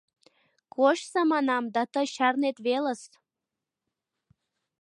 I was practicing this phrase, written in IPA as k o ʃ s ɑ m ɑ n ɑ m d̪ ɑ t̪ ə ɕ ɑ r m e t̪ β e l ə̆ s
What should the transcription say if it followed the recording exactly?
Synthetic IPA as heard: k o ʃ s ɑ m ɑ n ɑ m d̪ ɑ t̪ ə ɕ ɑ r n e t̪ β e l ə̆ s